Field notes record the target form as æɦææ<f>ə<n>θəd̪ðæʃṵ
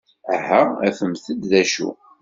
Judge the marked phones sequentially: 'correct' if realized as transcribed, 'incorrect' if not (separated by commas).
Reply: correct, incorrect